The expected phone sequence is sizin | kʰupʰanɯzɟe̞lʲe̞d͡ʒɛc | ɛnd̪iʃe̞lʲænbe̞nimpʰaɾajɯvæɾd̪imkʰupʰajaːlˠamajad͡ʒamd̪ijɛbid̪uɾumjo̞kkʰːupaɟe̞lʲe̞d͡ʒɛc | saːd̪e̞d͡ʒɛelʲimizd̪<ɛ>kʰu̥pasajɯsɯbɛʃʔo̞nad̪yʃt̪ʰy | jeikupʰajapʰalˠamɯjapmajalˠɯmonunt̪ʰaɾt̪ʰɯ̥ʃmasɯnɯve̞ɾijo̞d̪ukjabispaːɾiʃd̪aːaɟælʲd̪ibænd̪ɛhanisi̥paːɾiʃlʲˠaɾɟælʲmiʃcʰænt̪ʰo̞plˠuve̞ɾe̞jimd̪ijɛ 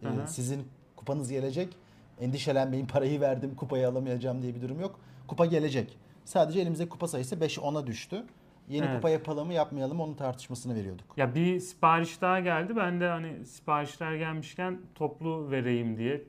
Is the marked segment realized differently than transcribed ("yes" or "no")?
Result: no